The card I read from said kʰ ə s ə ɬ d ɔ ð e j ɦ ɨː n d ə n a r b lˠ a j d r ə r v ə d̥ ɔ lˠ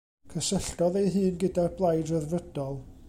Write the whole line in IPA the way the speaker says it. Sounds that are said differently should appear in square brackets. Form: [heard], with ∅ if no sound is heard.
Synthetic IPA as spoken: kʰ ə s ə ɬ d ɔ ð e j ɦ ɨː n [ɡ] ə [d] a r b lˠ a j d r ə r v ə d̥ ɔ lˠ